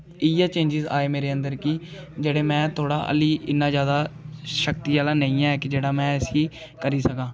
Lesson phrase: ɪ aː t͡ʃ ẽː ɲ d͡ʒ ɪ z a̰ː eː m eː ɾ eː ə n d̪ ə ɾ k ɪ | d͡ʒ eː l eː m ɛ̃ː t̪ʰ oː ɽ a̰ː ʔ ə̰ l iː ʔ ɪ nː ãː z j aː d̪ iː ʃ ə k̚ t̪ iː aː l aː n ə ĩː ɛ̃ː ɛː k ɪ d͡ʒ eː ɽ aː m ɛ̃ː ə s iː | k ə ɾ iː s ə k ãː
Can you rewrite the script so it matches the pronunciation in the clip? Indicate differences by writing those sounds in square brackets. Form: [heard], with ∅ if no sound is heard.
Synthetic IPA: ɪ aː t͡ʃ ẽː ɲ d͡ʒ ɪ z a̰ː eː m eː ɾ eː ə n d̪ ə ɾ k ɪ | d͡ʒ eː [ɽ] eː m ɛ̃ː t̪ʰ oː ɽ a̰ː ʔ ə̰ l iː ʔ ɪ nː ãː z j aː d̪ [aː] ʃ ə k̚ t̪ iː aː l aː n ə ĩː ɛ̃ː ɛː k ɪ d͡ʒ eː ɽ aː m ɛ̃ː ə s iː | k ə ɾ iː s ə k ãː

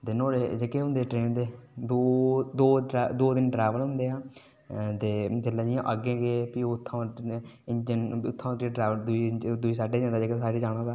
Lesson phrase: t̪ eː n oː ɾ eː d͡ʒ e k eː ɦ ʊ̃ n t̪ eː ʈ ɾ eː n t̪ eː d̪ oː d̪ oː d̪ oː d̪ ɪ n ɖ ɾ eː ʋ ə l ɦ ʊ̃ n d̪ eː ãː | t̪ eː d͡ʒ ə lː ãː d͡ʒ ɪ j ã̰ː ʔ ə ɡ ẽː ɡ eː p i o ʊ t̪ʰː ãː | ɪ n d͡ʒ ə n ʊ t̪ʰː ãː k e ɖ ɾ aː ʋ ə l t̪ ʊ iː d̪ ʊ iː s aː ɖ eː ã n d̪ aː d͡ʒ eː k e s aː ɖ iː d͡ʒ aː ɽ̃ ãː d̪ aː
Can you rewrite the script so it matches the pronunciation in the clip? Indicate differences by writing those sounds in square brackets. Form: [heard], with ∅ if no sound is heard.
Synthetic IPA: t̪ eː n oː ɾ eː d͡ʒ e k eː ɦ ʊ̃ n [d̪] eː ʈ ɾ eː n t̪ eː d̪ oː d̪ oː d̪ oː d̪ ɪ n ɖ ɾ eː ʋ ə l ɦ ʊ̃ n d̪ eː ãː | t̪ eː d͡ʒ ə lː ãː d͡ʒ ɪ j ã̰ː ʔ ə ɡ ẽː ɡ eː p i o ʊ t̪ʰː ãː | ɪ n d͡ʒ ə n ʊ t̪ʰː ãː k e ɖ ɾ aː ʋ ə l [d̪] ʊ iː d̪ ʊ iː s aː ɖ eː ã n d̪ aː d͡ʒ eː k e s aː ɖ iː d͡ʒ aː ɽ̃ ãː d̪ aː

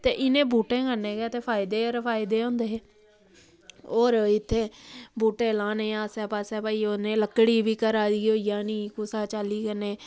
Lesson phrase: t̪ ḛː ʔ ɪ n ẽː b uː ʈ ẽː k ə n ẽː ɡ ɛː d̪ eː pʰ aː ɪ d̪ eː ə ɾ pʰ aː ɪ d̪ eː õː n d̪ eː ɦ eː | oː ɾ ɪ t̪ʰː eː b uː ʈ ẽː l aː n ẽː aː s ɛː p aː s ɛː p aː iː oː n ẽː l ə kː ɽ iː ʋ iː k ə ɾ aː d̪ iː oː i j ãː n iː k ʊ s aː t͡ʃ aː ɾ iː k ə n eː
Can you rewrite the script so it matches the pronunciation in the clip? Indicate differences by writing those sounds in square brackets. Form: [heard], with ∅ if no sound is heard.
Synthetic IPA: t̪ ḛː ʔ ɪ n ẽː b uː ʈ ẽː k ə n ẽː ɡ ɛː [t̪] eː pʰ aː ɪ d̪ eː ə ɾ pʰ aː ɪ d̪ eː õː n d̪ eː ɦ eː | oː ɾ ɪ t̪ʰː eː b uː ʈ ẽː l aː n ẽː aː s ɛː p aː s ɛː p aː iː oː n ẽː l ə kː ɽ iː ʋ iː k ə ɾ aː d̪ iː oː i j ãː n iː k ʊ s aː t͡ʃ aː [l] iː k ə n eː

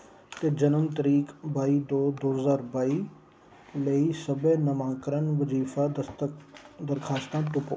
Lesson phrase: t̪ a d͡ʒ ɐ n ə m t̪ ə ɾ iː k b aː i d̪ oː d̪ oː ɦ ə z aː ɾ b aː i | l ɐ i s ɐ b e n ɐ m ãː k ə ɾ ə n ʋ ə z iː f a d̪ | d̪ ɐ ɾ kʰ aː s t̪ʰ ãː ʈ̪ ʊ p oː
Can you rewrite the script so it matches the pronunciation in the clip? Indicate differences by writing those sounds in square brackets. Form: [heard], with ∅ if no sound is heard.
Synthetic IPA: t̪ [e] d͡ʒ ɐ n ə m t̪ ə ɾ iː k b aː i d̪ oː d̪ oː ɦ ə z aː ɾ b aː i | l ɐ i s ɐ b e n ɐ m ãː k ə ɾ ə n ʋ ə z iː f a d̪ | d̪ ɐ ɾ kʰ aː s [t̪] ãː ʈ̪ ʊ p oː

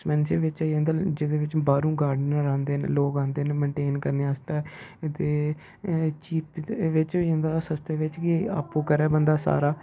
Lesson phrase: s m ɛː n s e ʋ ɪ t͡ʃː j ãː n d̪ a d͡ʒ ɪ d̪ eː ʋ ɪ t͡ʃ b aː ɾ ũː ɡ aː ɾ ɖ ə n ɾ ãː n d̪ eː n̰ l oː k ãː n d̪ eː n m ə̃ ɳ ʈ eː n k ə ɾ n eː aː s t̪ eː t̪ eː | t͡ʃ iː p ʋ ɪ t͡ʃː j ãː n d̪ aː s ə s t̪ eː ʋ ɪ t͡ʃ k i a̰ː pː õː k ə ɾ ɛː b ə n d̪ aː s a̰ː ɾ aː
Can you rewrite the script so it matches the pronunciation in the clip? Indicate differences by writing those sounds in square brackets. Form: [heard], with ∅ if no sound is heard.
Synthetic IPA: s m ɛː n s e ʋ ɪ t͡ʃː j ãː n d̪ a d͡ʒ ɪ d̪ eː ʋ ɪ t͡ʃ b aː ɾ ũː ɡ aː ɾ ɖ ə n ɾ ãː n d̪ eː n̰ l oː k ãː n d̪ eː n m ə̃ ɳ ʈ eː n k ə ɾ n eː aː s t̪ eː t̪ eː | t͡ʃ iː p ʋ ɪ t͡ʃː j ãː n d̪ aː s ə s t̪ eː ʋ ɪ t͡ʃ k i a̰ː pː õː k ə ɾ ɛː b ə n d̪ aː s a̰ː ɾ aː

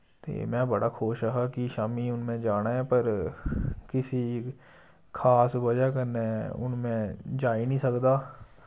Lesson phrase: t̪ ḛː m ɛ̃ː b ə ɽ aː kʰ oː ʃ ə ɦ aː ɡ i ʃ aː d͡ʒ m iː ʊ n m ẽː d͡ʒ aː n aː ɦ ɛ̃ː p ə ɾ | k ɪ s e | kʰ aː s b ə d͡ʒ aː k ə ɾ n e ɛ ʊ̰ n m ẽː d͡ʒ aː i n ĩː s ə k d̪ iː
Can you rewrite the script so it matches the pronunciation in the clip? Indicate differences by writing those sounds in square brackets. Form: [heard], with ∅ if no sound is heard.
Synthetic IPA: t̪ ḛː m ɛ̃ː b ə ɽ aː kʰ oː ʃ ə ɦ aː [k] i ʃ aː [∅] m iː ʊ n m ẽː d͡ʒ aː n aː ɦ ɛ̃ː p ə ɾ | k ɪ s [i] | kʰ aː s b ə d͡ʒ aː k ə ɾ n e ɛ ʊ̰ n m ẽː d͡ʒ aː i n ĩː s ə k d̪ [aː]

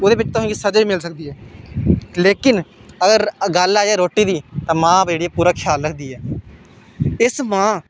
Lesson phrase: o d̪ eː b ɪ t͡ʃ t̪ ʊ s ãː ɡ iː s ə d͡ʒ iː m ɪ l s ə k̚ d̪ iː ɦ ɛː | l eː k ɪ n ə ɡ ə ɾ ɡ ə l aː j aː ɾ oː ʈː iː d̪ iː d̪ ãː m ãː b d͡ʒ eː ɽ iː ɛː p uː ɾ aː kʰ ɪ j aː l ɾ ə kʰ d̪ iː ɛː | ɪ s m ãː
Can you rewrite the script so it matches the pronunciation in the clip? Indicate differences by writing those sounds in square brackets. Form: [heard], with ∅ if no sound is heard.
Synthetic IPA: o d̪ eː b ɪ t͡ʃ t̪ ʊ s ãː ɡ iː s ə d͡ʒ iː m ɪ l s ə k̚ d̪ iː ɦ ɛː | l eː k ɪ n ə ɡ ə ɾ ɡ ə l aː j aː ɾ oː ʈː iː d̪ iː [t̪] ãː m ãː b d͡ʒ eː ɽ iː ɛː p uː ɾ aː kʰ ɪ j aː l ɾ ə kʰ d̪ iː ɛː | ɪ s m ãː

